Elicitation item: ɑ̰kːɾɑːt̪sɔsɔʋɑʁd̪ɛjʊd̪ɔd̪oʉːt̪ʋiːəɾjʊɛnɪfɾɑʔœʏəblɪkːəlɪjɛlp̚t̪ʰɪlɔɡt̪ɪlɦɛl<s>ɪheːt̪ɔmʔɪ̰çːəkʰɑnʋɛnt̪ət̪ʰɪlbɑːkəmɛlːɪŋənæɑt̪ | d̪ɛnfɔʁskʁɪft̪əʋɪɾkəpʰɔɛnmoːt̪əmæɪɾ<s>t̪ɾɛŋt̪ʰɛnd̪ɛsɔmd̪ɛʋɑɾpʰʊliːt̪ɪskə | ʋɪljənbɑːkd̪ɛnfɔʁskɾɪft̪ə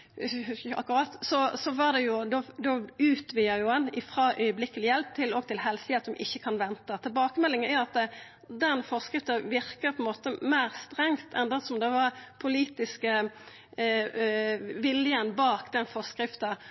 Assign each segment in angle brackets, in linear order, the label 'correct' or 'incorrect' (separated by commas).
correct, correct